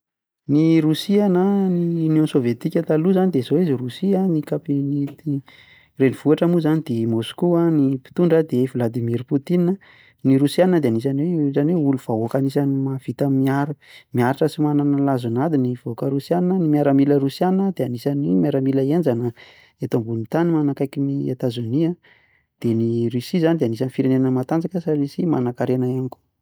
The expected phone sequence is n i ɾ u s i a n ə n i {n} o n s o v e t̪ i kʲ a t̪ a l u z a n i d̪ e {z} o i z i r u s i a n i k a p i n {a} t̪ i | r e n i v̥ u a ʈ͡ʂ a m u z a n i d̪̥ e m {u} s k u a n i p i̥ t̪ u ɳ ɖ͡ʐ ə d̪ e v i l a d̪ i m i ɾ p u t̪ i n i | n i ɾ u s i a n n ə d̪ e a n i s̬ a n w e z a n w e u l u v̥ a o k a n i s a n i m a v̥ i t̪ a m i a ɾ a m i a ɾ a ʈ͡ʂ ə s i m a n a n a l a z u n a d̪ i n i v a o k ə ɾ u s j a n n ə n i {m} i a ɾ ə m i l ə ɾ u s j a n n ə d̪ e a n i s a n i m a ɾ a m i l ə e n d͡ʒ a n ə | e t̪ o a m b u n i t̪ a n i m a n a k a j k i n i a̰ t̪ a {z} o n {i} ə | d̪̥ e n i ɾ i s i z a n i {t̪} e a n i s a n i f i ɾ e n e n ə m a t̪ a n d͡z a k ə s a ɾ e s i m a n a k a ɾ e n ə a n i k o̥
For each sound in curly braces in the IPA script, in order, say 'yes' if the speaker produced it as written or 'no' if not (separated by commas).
yes, yes, no, no, yes, yes, yes, no